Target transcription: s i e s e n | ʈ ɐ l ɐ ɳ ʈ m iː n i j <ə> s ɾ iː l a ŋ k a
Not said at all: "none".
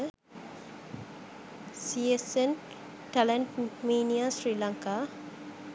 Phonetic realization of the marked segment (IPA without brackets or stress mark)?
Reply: a